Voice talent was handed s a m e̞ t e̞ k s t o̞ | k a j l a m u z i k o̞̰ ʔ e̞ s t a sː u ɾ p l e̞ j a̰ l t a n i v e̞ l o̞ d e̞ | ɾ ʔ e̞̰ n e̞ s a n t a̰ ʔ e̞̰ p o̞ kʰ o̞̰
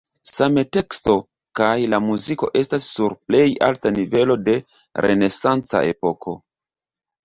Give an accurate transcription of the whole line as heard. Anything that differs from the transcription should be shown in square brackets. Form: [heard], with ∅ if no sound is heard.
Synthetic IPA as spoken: s a m e̞ t e̞ k s t o̞ | k a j l a m u z i k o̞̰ ʔ e̞ s t a sː u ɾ p l e̞ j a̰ l t a n i v e̞ l o̞ d e̞ | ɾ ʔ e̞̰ n e̞ s a n [t͡s] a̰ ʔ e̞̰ p o̞ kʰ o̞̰